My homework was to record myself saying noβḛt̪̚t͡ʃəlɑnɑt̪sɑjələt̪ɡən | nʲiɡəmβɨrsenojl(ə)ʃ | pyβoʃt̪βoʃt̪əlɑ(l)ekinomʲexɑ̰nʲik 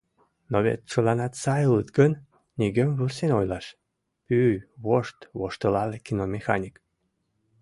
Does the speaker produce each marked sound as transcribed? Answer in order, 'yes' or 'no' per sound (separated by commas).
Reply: no, yes